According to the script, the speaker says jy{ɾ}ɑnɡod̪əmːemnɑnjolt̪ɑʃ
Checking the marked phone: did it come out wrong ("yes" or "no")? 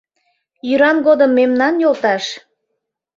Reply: no